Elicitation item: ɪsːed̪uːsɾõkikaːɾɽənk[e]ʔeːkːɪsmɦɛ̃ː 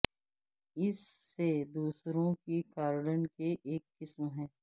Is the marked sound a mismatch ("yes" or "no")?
no